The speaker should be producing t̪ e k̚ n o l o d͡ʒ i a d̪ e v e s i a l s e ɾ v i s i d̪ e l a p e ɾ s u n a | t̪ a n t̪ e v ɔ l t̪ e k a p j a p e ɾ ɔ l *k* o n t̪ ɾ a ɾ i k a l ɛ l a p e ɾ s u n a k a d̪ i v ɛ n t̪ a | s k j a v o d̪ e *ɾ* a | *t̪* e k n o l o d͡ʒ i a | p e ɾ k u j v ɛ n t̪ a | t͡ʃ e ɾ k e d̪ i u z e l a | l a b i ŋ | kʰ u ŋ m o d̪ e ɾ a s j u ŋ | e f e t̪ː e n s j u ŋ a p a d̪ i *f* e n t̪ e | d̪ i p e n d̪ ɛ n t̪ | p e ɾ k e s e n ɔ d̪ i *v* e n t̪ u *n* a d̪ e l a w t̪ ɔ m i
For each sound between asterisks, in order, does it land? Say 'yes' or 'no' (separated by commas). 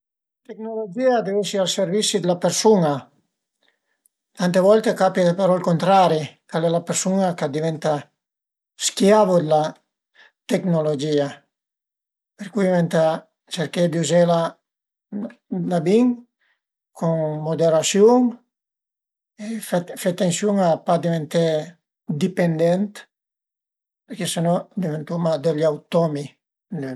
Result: yes, no, yes, no, yes, no